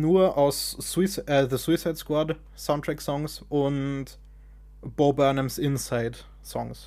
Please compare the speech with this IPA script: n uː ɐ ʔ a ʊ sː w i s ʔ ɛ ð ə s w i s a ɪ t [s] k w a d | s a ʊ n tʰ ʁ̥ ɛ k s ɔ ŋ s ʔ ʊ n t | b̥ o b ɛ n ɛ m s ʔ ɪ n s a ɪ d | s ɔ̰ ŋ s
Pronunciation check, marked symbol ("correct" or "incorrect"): correct